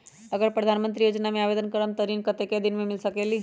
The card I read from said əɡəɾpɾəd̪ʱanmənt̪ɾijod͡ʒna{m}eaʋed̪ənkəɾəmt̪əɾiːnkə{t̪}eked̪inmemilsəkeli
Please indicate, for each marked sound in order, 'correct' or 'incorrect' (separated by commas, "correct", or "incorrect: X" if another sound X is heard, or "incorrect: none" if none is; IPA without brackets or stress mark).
correct, correct